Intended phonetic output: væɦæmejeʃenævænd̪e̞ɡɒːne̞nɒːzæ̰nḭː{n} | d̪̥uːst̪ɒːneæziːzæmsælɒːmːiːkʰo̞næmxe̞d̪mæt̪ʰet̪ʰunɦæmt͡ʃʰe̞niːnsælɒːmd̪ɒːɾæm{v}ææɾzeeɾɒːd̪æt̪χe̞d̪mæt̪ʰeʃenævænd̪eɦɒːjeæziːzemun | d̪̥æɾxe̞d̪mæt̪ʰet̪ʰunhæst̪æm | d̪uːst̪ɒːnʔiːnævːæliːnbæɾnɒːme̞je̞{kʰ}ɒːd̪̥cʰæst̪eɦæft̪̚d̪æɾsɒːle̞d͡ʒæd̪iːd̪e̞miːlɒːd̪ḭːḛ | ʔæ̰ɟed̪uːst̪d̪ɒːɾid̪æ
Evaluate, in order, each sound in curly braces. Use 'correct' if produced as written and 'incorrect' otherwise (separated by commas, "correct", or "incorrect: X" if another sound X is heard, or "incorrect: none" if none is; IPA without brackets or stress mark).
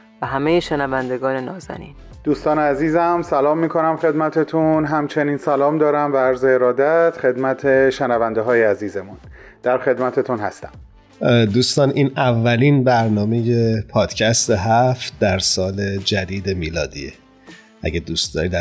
correct, correct, incorrect: pʰ